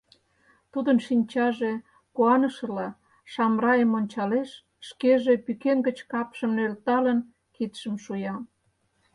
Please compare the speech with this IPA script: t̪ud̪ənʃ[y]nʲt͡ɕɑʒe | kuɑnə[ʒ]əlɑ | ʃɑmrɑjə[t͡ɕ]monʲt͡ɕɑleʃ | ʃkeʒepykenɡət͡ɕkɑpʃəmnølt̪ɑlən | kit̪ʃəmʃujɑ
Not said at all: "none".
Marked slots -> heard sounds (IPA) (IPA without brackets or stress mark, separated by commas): i, ʃ, none